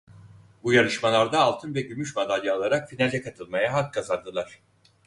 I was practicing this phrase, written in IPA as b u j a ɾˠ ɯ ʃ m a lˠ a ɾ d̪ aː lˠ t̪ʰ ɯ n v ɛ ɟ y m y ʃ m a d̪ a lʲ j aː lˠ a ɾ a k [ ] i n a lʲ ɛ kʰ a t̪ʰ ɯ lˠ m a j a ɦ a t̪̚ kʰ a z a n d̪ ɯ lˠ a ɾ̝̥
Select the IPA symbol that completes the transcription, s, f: f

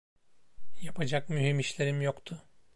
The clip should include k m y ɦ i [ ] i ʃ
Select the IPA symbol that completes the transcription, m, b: m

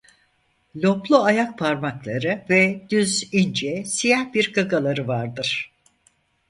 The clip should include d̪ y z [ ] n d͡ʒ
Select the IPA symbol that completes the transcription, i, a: i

